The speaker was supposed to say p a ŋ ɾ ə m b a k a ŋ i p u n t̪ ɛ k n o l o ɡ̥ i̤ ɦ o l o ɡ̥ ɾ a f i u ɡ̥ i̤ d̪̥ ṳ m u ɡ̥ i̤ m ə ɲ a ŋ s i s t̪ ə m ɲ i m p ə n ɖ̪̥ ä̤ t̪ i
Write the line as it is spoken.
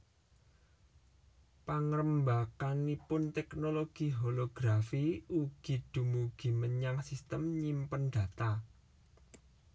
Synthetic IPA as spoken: p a ŋ ɾ ə m b a k a n i p ʊ n t̪ ɛ k n o l o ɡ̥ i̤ ɦ o l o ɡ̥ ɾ a f i u ɡ̥ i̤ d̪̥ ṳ m u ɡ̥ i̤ m ə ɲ a ŋ s i s t̪ ə m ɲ i m p ə n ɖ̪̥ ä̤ t̪ a